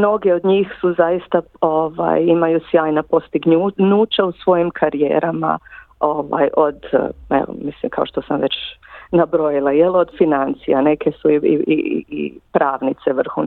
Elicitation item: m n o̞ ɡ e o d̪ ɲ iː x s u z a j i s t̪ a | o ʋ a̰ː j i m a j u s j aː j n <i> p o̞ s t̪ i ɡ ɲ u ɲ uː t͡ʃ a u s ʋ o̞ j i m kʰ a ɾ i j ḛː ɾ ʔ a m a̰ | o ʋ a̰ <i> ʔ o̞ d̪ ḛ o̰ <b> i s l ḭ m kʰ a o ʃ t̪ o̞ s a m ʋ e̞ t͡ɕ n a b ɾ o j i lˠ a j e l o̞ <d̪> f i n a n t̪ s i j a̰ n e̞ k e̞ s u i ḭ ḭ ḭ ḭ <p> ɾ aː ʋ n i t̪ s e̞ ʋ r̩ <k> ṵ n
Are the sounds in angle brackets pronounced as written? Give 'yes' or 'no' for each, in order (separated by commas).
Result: no, no, no, yes, yes, no